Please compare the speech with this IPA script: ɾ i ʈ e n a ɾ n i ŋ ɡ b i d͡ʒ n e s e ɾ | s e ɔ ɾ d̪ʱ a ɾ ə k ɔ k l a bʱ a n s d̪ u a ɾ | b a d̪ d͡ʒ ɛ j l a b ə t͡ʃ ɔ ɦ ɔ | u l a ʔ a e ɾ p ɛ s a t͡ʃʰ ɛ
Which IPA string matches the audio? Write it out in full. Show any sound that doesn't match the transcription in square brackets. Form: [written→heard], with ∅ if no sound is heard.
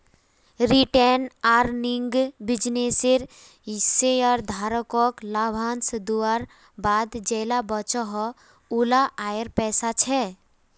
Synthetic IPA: ɾ i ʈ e n a ɾ n i ŋ ɡ b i d͡ʒ n e s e ɾ | s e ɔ ɾ d̪ʱ a ɾ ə k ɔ k l a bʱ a n s d̪ u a ɾ | b a d̪ d͡ʒ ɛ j l a b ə t͡ʃ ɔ ɦ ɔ | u l a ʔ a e ɾ p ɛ s a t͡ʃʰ ɛ